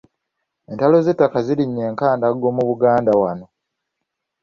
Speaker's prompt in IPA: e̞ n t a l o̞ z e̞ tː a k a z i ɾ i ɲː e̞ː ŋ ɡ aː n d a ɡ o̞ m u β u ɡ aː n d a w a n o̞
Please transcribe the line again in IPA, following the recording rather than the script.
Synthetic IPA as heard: e̞ n t a l o̞ z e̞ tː a k a z i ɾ i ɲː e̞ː ŋ k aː n d a ɡ o̞ m u β u ɡ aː n d a w a n o̞